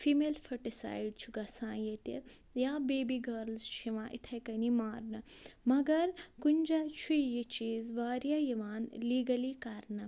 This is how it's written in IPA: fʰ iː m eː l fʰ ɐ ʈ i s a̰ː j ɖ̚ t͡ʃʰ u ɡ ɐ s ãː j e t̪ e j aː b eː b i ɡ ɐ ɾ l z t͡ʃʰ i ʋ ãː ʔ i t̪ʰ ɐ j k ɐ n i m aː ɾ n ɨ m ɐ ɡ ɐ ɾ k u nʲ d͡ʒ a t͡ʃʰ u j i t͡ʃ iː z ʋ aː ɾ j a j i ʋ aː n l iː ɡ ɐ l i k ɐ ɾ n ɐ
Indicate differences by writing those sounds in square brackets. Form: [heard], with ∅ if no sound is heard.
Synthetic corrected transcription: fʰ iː m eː l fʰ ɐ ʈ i s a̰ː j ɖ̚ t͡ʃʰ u ɡ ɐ s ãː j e t̪ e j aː b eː b i ɡ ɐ ɾ l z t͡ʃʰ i ʋ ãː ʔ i t̪ʰ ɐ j k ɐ n i m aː ɾ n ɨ m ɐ ɡ ɐ ɾ k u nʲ d͡ʒ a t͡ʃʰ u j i t͡ʃ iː z ʋ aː ɾ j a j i ʋ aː n l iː ɡ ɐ l i k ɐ ɾ n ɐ